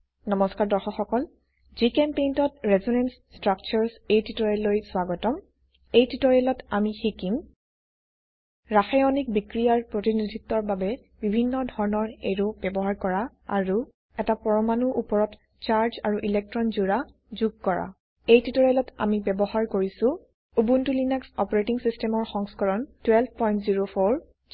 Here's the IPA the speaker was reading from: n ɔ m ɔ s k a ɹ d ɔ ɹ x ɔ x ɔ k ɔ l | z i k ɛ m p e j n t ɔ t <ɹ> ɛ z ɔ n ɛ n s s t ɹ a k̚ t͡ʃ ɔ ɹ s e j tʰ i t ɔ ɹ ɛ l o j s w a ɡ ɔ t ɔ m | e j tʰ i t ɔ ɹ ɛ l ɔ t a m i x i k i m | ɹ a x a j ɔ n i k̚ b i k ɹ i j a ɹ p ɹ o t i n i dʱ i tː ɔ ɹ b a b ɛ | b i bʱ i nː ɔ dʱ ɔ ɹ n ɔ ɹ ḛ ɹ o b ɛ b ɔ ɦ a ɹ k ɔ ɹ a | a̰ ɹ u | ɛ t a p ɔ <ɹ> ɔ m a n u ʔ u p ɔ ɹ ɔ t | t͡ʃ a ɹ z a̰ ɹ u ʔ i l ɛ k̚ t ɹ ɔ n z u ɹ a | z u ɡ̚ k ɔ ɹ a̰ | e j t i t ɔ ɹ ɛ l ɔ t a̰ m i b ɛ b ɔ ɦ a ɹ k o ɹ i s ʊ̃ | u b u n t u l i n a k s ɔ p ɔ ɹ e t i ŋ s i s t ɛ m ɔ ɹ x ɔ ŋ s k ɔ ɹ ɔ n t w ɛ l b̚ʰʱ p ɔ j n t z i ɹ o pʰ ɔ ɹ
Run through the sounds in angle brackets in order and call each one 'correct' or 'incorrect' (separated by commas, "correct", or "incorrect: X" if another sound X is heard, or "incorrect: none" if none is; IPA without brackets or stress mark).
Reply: correct, correct